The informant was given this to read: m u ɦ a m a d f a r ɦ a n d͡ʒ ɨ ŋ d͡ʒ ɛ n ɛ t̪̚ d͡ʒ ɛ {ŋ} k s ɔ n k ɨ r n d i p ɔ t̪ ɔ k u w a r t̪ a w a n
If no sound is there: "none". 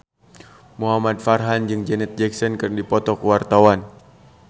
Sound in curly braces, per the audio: none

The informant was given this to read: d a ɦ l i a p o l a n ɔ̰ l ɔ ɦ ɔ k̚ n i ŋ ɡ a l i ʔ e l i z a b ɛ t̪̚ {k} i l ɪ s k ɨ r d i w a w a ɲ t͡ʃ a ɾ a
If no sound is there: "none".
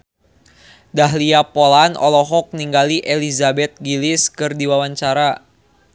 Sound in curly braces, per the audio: ɡ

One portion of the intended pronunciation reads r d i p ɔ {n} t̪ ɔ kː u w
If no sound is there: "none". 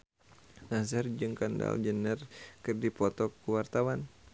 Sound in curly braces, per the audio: none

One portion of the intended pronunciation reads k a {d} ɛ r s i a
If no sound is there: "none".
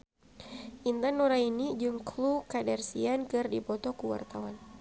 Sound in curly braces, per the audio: d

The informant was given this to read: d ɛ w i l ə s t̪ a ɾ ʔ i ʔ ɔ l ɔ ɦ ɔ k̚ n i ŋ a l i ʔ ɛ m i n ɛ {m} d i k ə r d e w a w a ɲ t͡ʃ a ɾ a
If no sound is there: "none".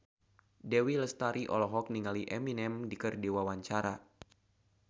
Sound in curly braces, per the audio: m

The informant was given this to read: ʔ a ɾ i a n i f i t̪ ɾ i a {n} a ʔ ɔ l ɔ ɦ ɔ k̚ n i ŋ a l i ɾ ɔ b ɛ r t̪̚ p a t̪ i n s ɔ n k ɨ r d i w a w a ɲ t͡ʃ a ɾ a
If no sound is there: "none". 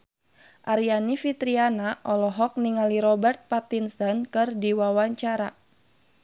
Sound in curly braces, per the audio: n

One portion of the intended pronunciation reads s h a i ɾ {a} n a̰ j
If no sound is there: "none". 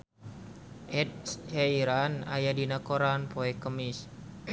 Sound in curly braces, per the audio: a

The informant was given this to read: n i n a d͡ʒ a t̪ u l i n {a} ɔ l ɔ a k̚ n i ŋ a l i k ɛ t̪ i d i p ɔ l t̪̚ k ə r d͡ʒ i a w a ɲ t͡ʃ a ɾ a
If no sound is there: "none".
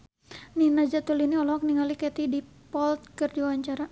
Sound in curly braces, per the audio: i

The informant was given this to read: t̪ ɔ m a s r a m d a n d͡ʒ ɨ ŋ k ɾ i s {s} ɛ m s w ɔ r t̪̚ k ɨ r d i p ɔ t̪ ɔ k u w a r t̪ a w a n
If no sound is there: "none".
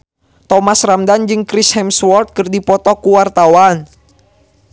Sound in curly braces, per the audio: h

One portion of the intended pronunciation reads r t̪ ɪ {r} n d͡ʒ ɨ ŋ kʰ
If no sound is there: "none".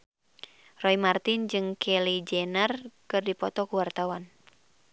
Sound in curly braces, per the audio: none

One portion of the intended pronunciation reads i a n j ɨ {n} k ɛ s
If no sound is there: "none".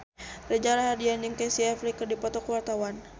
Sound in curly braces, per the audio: ŋ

